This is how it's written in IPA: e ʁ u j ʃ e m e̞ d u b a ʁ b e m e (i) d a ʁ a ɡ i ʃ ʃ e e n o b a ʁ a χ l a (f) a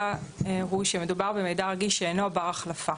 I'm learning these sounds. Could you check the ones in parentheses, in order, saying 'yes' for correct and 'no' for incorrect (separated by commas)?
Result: no, yes